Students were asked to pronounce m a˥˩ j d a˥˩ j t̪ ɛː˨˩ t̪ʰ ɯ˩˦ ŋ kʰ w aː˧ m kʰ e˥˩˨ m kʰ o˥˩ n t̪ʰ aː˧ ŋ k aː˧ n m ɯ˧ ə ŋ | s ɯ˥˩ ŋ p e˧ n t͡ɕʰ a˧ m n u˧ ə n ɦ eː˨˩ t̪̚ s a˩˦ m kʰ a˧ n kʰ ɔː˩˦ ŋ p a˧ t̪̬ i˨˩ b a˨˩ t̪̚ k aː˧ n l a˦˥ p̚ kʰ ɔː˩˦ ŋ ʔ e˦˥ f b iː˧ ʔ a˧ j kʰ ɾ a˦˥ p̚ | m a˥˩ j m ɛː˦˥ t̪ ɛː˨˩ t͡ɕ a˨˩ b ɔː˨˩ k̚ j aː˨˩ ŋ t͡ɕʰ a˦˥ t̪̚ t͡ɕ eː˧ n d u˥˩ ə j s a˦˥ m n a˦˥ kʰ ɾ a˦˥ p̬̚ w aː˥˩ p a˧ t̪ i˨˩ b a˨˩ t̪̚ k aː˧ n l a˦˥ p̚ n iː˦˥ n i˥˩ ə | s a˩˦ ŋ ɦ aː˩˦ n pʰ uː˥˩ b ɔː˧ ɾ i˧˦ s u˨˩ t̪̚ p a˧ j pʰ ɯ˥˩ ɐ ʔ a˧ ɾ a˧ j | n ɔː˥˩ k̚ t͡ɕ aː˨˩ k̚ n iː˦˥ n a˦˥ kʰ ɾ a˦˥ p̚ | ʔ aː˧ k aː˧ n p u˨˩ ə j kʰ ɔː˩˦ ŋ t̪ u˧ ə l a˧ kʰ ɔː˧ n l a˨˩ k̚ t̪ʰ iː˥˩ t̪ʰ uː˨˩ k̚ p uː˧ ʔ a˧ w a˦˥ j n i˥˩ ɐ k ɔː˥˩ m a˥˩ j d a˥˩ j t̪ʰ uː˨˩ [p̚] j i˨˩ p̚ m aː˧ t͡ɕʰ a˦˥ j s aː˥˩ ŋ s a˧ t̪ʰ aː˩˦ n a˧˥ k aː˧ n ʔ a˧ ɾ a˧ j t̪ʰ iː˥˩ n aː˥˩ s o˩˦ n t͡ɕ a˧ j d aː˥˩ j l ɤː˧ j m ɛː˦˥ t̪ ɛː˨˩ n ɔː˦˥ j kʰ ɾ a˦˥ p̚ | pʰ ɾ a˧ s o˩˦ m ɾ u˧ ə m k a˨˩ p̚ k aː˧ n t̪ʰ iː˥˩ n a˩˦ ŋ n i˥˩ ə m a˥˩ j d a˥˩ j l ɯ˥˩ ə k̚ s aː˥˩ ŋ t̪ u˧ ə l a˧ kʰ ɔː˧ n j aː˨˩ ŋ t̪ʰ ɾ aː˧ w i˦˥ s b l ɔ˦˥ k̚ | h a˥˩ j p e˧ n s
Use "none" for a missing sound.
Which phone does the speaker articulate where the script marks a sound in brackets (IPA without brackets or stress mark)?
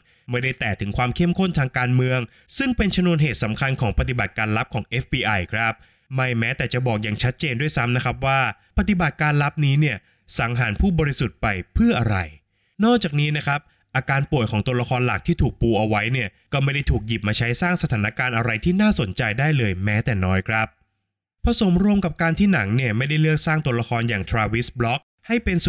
k̚